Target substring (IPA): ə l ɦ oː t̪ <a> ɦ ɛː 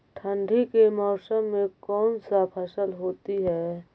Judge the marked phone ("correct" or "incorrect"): incorrect